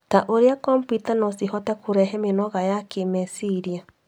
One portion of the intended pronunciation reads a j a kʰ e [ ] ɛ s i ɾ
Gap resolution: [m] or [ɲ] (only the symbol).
m